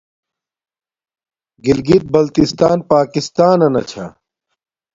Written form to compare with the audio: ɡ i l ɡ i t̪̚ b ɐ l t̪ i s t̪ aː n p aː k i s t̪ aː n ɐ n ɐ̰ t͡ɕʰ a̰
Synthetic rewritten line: ɡ i l ɡ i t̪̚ b ɐ l t̪ i s t̪ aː n p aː k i s t̪ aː n ɐ n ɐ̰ t͡ɕʰ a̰